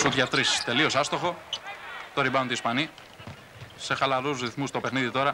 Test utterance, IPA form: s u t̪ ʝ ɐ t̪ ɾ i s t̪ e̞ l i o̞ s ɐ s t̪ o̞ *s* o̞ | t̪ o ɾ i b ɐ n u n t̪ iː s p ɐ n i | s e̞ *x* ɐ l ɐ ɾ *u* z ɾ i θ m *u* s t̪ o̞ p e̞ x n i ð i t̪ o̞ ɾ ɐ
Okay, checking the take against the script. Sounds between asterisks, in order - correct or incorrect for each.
incorrect, correct, correct, correct

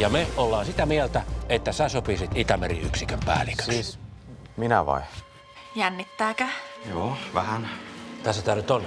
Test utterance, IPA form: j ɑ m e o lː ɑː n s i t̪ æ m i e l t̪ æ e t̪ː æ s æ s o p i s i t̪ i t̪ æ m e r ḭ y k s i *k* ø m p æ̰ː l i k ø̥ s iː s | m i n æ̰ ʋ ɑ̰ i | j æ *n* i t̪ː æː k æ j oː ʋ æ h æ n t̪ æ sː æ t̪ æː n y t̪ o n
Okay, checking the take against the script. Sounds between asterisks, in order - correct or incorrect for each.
correct, incorrect

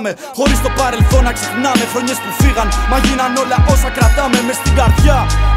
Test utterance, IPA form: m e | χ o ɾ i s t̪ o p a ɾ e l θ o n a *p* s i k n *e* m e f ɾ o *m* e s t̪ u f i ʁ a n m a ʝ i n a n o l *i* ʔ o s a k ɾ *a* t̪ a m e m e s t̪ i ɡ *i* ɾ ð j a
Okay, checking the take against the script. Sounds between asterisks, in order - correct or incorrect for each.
incorrect, incorrect, incorrect, incorrect, correct, incorrect

